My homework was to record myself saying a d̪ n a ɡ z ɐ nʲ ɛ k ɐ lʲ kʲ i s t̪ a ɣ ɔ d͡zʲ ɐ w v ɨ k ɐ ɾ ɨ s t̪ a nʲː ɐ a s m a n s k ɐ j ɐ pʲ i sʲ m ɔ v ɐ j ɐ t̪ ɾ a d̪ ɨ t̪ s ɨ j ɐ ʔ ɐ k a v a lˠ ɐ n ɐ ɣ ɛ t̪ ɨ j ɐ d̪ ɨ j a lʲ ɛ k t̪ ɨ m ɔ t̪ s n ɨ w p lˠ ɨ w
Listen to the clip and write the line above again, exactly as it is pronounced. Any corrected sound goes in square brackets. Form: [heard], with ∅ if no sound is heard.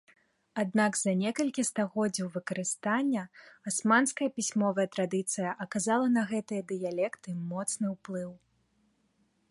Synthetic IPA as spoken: a d̪ n a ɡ z ɐ nʲ ɛ k ɐ lʲ kʲ i s t̪ a ɣ ɔ d͡zʲ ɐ w v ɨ k ɐ ɾ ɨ s t̪ a nʲː ɐ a s m a n s k ɐ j ɐ pʲ i sʲ m ɔ v ɐ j ɐ t̪ ɾ a d̪ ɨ t̪ s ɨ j ɐ ʔ ɐ k a [z] a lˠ ɐ n ɐ ɣ ɛ t̪ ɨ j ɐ d̪ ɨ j a lʲ ɛ k t̪ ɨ m ɔ t̪ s n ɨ w p lˠ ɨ w